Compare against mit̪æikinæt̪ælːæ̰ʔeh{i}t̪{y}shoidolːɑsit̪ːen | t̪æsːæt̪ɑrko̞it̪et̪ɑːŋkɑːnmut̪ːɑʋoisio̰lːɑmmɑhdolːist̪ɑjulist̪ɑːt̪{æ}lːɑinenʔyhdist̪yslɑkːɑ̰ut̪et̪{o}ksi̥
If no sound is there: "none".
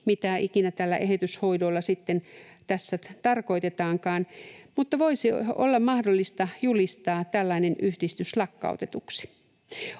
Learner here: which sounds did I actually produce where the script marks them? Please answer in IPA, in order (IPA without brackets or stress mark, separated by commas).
e, y, æ, u